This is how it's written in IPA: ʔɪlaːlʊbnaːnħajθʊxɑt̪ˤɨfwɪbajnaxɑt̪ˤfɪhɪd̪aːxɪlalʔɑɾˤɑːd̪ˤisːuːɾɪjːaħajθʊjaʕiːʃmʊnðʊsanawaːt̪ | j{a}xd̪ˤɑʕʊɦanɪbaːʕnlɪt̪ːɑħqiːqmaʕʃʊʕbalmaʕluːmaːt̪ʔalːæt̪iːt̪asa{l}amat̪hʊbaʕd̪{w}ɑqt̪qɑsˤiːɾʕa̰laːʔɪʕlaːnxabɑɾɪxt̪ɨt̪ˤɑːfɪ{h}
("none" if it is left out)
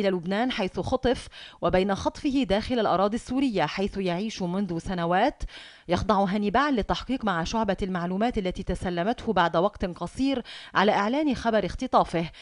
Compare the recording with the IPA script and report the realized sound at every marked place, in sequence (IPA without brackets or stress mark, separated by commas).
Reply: ɑ, lː, w, h